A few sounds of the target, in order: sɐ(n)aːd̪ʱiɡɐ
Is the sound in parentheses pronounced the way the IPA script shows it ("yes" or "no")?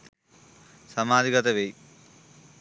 no